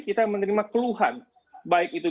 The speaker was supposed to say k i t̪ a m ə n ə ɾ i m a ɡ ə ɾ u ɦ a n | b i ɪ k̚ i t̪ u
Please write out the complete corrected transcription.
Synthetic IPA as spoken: k i t̪ a m ə n ə ɾ i m a k ə l u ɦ a n | b a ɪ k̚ i t̪ u

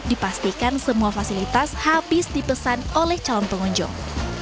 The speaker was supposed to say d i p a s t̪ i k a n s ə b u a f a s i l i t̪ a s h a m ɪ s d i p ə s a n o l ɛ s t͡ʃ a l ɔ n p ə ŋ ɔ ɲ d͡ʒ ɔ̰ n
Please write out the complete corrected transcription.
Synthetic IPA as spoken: d i p a s t̪ i k a n s ə m u a f a s i l i t̪ a s h a b ɪ s d i p ə s a n o l ɛ h t͡ʃ a l ɔ n p ə ŋ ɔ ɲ d͡ʒ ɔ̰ ŋ

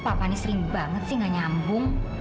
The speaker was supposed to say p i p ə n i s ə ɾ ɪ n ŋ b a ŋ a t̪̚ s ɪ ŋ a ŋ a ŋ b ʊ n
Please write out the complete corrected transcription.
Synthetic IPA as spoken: p a p a n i s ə ɾ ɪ ŋ b a ŋ ə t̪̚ s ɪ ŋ a ɲ a m b ʊ ŋ

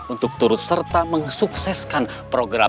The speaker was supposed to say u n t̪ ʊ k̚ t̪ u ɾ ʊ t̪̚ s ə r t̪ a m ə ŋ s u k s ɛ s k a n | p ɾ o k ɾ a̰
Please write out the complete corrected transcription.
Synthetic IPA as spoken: u n t̪ ʊ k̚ t̪ u ɾ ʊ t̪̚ s ə r t̪ a m ə ŋ s u k s ɛ s k a n | p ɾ o ɡ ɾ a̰

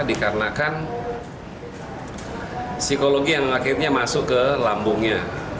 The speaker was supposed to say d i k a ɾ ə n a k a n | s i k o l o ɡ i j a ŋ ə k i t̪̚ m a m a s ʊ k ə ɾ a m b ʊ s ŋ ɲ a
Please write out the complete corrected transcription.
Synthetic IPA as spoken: d i k a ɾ ə n a k a n | s i k o l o ɡ i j a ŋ a k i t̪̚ ɲ a m a s ʊ k ə l a m b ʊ ŋ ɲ a

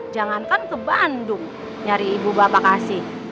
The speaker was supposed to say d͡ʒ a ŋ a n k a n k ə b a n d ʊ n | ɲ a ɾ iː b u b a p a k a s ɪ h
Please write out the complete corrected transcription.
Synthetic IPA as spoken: d͡ʒ a ŋ a n k a n k ə b a n d ʊ ŋ | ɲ a ɾ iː b u b a p a k a s ɪ h

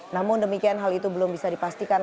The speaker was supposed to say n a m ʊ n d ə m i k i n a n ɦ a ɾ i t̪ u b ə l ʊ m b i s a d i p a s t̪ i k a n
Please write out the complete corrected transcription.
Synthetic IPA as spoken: n a m ʊ n d ə m i k i a n ɦ a l i t̪ u b ə l ʊ m b i s a d i p a s t̪ i k a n

